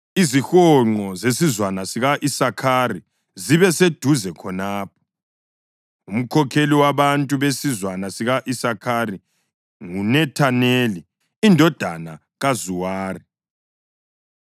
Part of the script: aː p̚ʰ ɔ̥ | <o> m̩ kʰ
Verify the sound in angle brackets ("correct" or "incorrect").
incorrect